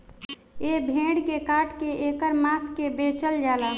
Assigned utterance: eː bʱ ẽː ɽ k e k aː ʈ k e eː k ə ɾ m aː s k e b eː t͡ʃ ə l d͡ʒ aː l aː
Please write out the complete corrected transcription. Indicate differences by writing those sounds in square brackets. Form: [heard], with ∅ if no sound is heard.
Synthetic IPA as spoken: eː bʱ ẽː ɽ k e k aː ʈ k e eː k ə ɾ m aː s k e b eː t͡ʃ ə l d͡ʒ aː l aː